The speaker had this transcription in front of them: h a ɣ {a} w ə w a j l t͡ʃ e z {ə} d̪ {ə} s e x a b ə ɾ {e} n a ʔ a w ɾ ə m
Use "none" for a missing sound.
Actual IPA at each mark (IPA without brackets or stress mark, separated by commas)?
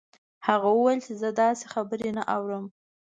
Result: a, ə, ɑ, e